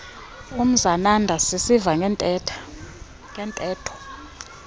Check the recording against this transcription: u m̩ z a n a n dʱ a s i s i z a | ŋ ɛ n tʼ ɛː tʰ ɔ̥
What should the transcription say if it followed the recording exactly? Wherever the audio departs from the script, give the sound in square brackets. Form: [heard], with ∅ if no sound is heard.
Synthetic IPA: u m̩ z a n a n dʱ a s i s i [v] a | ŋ ɛ n tʼ ɛː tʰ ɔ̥

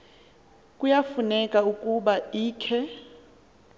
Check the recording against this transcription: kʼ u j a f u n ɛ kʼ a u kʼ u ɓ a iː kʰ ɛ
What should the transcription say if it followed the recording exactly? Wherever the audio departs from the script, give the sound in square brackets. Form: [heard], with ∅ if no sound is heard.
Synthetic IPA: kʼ u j a f u n ɛ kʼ a u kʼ u ɓ a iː kʰ ɛ

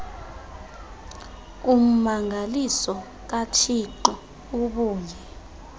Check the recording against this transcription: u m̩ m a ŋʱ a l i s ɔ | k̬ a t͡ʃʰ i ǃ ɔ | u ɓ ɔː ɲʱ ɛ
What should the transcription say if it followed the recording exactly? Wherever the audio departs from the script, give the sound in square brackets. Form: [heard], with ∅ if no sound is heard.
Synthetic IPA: u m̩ m a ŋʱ a l i s ɔ | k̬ a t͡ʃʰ i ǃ ɔ | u ɓ [uː] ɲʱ ɛ

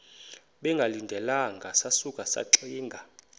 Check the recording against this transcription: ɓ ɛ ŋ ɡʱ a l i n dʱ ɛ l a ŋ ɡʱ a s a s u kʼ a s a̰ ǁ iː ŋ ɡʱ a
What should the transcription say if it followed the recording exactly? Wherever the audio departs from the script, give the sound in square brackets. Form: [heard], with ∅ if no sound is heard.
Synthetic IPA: ɓ ɛ ŋ ɡʱ a l i n dʱ ɛ l a ŋ ɡʱ a s a s u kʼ a s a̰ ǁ iː ŋ ɡʱ a

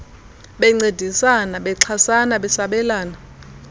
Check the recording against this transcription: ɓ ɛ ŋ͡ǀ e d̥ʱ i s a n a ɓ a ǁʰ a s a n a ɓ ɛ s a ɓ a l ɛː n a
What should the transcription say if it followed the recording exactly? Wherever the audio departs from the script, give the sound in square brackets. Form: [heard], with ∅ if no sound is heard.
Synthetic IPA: ɓ ɛ ŋ͡ǀ e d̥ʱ i s a n a ɓ [ɛ] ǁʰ a s a n a ɓ ɛ s a ɓ [ɛ] l [aː] n a

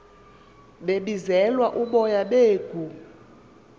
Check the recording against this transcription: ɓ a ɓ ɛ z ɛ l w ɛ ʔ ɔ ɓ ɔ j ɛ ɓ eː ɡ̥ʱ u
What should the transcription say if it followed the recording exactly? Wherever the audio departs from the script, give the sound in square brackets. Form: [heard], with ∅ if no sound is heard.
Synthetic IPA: ɓ [e] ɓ [i] z ɛ l w [a] ʔ [u] ɓ ɔ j [a] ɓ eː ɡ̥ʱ u

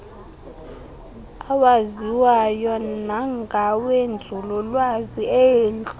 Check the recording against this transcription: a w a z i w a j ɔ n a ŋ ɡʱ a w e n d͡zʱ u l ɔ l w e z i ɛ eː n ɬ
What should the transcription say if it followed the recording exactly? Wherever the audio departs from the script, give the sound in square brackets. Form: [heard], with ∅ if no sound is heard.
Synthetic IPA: a w a z i w a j ɔ n a ŋ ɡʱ a w e n d͡zʱ u l ɔ l w [a] z i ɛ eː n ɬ

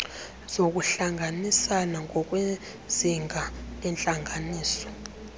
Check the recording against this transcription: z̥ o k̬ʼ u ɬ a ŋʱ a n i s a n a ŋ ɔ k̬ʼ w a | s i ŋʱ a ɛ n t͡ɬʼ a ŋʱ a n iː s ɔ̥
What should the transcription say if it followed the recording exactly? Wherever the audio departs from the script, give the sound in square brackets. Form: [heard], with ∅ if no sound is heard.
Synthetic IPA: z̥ o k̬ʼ u ɬ a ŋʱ a n i s a n a ŋ ɔ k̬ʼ w [e] | [z] i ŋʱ a ɛ n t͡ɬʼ a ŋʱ a n iː s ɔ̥

